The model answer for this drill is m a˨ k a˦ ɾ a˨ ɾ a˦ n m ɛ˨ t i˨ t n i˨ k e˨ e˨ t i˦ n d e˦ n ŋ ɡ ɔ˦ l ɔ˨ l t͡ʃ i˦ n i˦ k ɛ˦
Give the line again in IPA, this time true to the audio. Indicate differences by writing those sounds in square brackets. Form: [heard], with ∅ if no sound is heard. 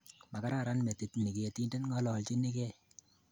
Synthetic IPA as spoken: m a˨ k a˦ ɾ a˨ ɾ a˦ n m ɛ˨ t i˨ t n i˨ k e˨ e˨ t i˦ n d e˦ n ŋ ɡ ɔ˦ l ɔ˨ l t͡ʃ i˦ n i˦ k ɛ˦

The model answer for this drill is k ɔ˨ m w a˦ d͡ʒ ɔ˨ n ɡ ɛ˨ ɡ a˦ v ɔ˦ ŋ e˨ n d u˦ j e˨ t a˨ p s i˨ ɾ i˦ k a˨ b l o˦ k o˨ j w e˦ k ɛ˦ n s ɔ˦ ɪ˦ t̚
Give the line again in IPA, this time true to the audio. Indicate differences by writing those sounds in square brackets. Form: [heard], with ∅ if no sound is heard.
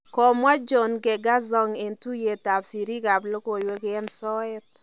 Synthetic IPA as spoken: k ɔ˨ m w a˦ d͡ʒ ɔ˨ n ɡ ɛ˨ ɡ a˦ [z] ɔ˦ ŋ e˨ n [t] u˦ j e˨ t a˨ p s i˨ ɾ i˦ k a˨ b l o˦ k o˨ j w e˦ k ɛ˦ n s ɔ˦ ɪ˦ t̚

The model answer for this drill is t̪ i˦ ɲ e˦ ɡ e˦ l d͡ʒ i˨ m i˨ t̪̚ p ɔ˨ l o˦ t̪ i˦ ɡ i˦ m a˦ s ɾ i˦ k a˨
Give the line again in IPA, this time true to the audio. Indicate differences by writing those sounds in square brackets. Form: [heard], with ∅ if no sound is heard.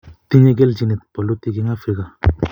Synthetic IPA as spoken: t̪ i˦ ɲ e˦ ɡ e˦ l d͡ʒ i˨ [n] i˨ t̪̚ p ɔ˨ l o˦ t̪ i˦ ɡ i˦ [ŋ] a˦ [f] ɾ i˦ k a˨

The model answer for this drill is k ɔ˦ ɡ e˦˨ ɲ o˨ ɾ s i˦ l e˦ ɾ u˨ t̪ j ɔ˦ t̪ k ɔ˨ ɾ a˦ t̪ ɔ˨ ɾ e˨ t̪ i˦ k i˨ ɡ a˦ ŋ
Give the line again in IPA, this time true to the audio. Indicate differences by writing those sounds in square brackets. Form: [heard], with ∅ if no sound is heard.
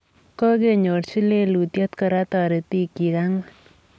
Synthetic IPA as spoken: k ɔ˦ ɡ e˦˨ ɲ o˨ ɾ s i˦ l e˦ [l] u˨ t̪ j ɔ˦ t̪ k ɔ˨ ɾ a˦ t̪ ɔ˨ ɾ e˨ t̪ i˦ k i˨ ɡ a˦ ŋ

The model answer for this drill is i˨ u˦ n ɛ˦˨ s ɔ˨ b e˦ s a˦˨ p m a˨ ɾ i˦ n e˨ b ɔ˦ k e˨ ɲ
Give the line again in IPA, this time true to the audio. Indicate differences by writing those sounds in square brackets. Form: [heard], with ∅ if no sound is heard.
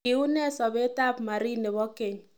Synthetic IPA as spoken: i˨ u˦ n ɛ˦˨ s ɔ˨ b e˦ [t] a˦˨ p m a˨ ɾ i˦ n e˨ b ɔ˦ k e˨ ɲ

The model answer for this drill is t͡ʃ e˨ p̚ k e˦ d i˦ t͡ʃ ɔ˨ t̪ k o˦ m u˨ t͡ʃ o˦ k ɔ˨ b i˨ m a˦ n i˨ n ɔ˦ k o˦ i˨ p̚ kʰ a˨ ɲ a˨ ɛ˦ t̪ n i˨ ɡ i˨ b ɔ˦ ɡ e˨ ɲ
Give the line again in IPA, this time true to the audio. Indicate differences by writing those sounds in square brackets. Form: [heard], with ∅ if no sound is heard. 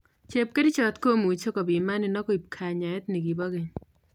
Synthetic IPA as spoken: t͡ʃ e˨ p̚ k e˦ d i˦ t͡ʃ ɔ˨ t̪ k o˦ m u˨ t͡ʃ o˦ k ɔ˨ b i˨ m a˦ n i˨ n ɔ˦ k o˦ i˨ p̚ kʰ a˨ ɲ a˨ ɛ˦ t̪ n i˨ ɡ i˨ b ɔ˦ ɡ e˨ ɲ

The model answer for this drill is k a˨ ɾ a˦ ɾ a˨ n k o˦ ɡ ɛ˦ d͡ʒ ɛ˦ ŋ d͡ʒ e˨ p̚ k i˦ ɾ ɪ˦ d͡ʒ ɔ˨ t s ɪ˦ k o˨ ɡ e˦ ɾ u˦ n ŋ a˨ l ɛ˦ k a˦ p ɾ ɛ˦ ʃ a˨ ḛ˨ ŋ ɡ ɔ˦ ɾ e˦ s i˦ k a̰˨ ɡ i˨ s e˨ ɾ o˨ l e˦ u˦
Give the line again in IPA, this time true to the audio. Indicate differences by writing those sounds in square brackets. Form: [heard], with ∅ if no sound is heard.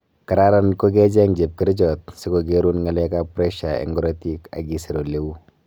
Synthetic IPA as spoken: k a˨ ɾ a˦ ɾ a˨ n k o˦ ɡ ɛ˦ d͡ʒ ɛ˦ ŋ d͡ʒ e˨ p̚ k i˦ ɾ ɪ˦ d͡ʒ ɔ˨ t s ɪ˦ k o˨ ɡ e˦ ɾ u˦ n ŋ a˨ l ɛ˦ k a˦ p ɾ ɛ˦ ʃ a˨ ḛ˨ ŋ ɡ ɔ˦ ɾ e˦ [t] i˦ k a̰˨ ɡ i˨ s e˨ ɾ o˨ l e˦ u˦

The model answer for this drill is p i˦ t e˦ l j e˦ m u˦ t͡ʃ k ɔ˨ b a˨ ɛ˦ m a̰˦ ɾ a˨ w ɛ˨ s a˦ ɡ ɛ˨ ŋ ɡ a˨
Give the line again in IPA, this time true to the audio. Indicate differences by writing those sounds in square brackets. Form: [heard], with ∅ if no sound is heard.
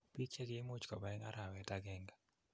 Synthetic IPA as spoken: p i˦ [t͡ʃ] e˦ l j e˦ m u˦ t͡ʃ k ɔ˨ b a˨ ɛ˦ [ŋ] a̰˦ ɾ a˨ w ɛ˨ [t] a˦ ɡ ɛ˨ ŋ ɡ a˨

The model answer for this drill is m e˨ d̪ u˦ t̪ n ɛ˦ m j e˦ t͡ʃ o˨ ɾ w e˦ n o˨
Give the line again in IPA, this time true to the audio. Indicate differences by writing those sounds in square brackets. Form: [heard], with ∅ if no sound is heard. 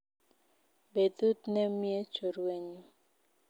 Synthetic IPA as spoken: [b] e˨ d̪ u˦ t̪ n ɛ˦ m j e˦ t͡ʃ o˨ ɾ w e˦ [ɲ] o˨

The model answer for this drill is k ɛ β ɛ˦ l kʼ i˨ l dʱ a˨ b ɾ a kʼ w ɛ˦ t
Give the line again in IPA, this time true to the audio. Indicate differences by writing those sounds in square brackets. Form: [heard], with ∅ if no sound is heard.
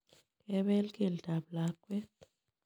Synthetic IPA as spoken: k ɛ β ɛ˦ l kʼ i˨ l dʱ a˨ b [l] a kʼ w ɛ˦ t

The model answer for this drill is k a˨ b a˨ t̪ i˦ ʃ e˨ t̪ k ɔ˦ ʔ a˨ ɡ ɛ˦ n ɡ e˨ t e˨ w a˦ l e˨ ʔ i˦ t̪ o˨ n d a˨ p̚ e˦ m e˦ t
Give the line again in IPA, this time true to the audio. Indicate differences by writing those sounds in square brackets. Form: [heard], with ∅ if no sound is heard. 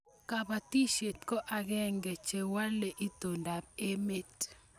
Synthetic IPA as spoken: k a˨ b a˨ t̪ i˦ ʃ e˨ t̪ k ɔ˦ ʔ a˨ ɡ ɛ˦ [ŋ] ɡ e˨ [t͡ʃ] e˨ w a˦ l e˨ ʔ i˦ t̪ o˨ n d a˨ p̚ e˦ m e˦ t

